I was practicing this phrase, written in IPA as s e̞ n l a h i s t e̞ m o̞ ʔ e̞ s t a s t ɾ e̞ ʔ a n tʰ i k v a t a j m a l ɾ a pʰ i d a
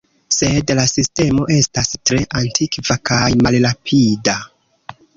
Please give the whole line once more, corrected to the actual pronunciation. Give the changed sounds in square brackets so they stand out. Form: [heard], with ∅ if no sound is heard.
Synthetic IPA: s e̞ [d] l a [s] i s t e̞ m o̞ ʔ e̞ s t a s t ɾ e̞ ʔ a n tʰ i k v a [k] a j m a l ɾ a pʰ i d a